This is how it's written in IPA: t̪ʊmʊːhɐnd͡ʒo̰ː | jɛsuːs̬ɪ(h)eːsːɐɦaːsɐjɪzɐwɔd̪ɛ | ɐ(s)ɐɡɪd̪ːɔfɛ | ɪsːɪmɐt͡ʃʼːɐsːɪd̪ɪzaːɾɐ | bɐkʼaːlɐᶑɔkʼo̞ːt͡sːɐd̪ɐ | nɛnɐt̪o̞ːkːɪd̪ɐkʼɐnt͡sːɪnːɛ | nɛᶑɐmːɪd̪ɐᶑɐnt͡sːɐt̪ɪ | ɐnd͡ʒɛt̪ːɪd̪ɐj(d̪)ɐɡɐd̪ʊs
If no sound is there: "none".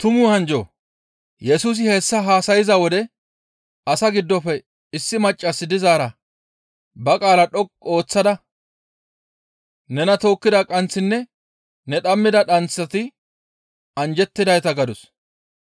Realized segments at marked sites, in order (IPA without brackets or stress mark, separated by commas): h, s, t̪